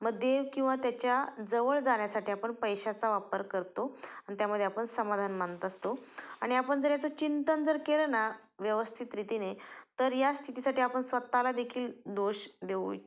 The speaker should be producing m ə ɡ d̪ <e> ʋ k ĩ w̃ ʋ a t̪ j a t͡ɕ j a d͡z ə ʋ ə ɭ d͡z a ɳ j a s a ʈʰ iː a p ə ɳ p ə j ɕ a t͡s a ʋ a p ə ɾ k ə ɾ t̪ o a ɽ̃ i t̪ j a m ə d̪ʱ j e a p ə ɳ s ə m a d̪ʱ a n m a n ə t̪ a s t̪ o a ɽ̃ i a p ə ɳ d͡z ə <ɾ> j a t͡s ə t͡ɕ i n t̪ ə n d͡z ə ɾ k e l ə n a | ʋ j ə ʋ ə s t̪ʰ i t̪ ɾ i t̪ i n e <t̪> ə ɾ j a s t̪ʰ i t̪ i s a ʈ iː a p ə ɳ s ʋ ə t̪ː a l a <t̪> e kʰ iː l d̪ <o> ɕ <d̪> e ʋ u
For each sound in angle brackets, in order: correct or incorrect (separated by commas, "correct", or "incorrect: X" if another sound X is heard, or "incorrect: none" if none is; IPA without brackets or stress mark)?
correct, correct, correct, incorrect: d̪, correct, correct